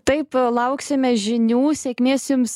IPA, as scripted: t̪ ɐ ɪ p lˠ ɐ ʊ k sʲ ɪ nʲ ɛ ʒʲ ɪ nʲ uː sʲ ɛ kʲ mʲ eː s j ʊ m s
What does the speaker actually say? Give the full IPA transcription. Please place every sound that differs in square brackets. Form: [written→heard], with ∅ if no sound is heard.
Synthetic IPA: t̪ ɐ ɪ p lˠ ɐ ʊ k sʲ ɪ [nʲ→mʲ] ɛ ʒʲ ɪ nʲ uː sʲ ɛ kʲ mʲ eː s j ʊ m s